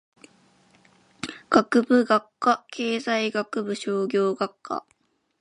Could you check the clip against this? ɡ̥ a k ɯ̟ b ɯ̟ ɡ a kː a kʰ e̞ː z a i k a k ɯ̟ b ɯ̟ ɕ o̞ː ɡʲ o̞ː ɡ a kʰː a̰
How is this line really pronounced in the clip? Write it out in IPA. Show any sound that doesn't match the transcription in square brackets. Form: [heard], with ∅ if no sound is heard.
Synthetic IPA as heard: ɡ̥ a k ɯ̟ b ɯ̟ ɡ a kː a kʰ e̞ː z a i [ɡ] a k ɯ̟ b ɯ̟ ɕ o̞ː ɡʲ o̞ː ɡ a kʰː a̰